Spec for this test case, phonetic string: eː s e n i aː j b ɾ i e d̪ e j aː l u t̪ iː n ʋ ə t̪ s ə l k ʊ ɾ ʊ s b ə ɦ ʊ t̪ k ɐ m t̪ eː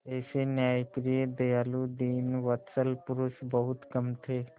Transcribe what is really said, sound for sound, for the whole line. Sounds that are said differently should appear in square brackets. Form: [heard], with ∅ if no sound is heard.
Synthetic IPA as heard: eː s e n [j] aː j [p] ɾ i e d̪ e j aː l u [d̪] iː n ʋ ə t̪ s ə l [p] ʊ ɾ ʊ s b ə ɦ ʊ t̪ k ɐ m [t̪ʰ] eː